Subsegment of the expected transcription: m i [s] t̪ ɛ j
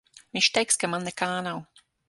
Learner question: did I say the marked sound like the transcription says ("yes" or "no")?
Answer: no